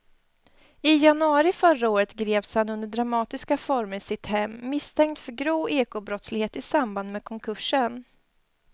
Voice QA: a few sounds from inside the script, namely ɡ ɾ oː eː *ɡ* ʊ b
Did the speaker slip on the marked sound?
yes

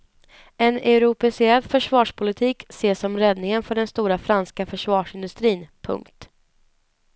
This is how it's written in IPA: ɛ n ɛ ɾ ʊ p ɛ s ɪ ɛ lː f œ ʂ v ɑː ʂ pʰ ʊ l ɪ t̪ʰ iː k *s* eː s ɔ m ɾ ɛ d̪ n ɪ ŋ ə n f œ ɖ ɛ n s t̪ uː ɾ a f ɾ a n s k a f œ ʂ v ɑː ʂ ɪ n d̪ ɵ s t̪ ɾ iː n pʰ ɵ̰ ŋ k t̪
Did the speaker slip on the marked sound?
no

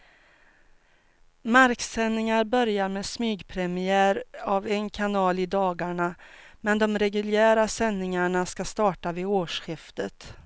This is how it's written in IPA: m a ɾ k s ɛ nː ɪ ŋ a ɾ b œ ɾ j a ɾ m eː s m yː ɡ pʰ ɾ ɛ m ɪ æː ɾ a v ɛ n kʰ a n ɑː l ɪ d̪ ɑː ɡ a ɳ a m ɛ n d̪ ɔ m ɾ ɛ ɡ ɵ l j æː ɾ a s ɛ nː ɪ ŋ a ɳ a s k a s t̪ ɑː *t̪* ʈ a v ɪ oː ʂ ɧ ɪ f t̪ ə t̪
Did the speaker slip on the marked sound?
yes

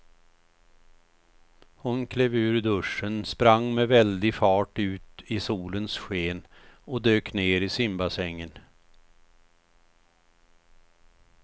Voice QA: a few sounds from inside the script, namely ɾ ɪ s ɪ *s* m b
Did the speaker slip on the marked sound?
yes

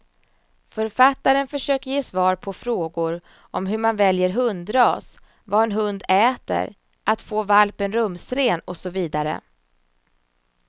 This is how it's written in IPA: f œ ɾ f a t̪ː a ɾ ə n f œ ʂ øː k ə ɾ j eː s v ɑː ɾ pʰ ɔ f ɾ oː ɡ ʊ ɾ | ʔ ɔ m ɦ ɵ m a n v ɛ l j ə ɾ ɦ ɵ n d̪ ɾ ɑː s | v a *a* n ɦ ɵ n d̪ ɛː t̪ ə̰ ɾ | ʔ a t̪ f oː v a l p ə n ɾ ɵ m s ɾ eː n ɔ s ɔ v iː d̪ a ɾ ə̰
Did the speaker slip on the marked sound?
yes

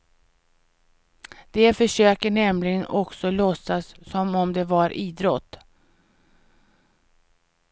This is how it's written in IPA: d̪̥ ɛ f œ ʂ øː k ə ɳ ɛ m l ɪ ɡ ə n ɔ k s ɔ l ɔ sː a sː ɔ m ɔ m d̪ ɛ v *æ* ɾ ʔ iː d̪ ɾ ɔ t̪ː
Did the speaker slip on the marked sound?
yes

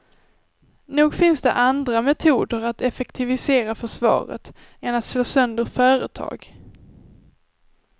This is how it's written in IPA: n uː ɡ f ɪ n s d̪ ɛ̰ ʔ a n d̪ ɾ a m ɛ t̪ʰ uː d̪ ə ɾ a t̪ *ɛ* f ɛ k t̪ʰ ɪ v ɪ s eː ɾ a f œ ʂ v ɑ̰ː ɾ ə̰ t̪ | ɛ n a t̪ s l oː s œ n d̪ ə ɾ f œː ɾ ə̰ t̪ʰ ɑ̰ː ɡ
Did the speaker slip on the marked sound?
no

